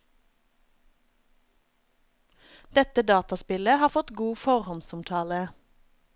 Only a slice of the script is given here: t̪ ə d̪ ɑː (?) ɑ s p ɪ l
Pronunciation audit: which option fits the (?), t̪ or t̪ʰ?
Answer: t̪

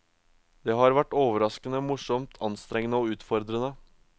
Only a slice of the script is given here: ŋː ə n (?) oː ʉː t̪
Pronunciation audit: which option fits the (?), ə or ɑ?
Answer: ə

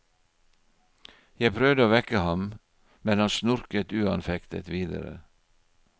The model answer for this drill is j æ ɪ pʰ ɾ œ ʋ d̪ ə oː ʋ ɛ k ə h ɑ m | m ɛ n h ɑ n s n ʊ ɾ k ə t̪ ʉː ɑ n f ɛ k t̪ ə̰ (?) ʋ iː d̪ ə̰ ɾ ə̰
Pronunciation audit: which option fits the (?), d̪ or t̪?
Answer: t̪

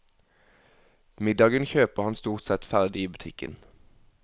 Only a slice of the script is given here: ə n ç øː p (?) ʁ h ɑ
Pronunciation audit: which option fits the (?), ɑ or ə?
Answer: ə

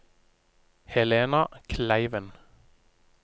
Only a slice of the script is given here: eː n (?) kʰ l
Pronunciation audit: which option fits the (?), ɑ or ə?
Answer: ɑ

